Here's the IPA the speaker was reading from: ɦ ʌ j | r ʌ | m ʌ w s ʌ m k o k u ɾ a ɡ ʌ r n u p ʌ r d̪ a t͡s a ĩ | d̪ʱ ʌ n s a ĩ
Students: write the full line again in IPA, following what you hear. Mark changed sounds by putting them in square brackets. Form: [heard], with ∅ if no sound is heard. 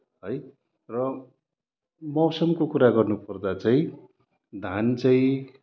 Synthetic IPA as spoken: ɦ ʌ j | r ʌ | m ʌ w s ʌ m k o k u ɾ a ɡ ʌ r n u p ʌ r d̪ a t͡s a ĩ | d̪ʱ [a] n [t͡s] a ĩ